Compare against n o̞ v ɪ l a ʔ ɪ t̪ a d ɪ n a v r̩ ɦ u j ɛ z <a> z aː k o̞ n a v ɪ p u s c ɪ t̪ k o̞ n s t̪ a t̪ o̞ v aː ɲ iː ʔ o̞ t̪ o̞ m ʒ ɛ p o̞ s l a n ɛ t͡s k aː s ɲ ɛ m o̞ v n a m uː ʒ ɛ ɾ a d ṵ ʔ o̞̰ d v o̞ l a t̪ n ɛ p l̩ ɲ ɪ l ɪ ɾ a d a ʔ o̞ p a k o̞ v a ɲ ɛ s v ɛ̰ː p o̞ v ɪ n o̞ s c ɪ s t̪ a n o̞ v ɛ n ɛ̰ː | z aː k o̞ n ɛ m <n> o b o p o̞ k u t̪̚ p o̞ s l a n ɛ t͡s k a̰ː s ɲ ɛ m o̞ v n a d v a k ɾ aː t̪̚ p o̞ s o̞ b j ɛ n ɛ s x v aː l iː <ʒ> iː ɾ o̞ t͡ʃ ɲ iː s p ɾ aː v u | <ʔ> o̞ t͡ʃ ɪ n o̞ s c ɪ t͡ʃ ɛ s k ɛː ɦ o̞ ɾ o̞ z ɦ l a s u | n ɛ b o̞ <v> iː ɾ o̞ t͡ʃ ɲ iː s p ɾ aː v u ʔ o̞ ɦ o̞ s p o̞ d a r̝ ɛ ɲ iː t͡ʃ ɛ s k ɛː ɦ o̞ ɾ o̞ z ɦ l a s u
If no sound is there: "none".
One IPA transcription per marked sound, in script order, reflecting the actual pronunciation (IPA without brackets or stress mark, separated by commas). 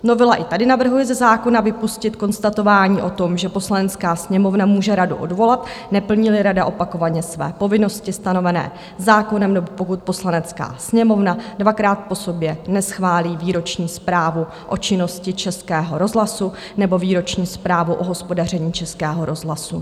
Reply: ɛ, n, v, ʔ, v